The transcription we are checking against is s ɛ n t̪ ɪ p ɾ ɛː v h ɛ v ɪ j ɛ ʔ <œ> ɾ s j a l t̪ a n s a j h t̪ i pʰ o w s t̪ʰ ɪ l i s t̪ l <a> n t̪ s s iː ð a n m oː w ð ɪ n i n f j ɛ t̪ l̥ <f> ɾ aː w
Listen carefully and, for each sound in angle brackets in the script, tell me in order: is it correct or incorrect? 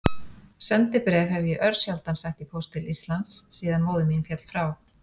correct, correct, correct

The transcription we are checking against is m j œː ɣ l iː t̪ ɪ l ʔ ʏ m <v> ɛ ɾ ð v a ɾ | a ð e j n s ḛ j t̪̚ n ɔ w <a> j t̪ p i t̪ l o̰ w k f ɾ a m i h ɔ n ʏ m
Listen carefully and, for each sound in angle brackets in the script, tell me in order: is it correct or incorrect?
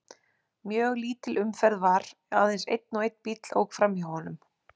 incorrect, incorrect

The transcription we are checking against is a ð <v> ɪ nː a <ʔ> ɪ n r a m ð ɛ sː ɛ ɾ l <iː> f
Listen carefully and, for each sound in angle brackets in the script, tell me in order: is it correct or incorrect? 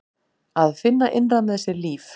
incorrect, correct, correct

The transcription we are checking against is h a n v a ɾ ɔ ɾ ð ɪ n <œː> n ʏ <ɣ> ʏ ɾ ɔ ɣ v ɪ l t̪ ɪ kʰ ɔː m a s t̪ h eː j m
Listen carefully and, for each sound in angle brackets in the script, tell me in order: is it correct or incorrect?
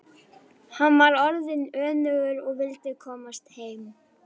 correct, correct

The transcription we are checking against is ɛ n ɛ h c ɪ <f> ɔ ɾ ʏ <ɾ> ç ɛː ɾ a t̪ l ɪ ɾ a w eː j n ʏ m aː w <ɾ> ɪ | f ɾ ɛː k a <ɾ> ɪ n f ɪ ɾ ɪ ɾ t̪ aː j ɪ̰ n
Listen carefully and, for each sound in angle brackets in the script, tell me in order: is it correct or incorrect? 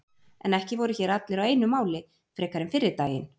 incorrect, incorrect, incorrect, correct

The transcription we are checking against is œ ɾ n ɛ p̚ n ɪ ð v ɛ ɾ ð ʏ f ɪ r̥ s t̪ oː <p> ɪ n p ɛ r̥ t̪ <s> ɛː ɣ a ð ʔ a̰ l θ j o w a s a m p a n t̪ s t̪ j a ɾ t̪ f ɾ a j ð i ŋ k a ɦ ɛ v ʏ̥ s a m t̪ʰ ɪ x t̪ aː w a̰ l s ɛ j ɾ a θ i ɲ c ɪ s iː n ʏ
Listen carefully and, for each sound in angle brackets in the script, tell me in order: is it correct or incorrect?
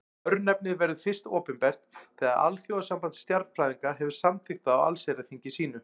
correct, incorrect

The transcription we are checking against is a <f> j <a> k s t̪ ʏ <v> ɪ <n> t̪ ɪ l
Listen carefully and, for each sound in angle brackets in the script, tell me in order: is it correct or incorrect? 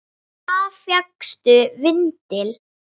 correct, correct, correct, correct

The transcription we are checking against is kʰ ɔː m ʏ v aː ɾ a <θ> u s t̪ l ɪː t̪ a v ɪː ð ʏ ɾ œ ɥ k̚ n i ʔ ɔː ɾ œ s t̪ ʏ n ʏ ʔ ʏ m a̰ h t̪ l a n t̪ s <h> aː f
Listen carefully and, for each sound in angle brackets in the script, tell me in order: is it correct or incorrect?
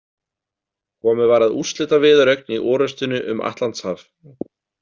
incorrect, correct

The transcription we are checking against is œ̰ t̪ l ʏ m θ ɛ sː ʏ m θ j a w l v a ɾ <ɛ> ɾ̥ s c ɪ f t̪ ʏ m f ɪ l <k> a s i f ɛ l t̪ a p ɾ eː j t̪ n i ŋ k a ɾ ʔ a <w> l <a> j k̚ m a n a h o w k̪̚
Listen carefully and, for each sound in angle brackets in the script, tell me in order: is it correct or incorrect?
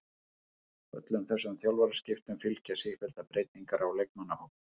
incorrect, incorrect, correct, incorrect

